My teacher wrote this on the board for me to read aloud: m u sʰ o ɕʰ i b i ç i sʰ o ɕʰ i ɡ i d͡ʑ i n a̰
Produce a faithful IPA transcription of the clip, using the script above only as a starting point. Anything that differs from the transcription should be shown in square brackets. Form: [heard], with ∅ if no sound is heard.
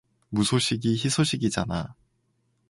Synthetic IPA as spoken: m u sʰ o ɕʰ i [ɡ] i ç i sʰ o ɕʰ i ɡ i d͡ʑ [a] n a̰